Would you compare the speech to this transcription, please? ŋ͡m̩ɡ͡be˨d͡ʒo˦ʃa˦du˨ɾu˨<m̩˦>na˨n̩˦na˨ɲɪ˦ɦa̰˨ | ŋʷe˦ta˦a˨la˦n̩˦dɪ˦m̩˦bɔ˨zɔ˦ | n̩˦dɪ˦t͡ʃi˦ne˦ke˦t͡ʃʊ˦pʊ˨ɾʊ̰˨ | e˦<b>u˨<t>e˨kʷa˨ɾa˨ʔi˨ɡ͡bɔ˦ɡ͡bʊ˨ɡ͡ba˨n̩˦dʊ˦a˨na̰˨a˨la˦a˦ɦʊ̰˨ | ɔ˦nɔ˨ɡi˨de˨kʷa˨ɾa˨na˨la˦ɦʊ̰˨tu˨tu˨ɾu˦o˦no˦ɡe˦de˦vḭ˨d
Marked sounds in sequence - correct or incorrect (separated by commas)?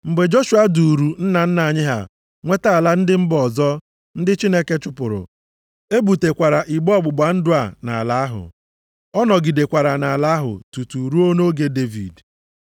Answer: incorrect, correct, correct